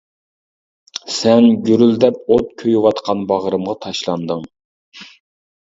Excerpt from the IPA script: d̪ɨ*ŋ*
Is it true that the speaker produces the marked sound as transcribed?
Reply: yes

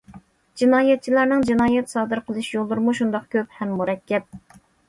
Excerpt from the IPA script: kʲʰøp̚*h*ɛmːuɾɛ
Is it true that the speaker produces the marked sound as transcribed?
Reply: yes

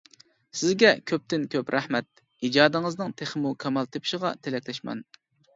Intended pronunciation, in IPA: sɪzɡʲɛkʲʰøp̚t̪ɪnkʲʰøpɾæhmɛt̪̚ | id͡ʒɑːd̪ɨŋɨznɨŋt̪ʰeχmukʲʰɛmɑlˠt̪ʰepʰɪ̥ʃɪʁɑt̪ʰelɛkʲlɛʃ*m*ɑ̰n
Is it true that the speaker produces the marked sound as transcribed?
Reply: yes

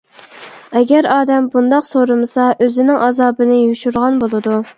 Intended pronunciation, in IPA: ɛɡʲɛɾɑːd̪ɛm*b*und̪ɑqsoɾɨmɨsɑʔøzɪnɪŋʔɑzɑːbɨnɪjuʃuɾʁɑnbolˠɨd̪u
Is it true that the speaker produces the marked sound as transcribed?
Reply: yes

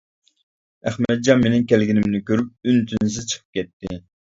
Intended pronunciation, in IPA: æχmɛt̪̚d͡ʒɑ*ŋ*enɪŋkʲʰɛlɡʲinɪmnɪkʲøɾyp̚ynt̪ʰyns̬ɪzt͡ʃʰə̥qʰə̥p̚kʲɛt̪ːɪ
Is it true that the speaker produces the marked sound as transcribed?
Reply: no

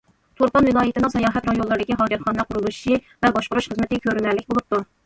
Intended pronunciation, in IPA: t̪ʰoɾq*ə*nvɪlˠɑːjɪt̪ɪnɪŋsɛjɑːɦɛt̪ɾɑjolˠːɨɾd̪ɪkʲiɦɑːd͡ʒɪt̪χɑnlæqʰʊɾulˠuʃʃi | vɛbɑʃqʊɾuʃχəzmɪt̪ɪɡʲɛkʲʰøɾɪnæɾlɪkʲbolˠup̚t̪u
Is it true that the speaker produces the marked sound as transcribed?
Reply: no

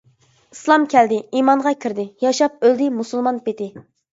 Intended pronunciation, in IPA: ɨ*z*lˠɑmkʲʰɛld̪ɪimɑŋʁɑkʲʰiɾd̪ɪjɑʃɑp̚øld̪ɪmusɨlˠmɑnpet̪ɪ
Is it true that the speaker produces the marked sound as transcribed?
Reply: no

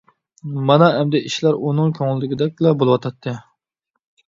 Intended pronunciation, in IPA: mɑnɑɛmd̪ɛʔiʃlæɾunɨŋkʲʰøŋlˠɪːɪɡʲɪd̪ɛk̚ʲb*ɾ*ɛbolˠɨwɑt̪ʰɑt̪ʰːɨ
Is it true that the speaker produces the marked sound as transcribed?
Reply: no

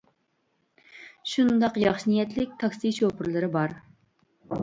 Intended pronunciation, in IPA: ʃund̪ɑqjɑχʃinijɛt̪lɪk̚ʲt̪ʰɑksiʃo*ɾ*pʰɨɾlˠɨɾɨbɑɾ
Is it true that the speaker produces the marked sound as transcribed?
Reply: no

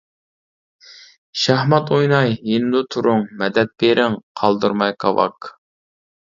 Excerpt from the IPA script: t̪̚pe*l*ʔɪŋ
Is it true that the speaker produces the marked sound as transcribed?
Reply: no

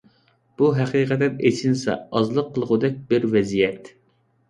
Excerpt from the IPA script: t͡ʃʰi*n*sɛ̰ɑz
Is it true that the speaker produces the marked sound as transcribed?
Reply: yes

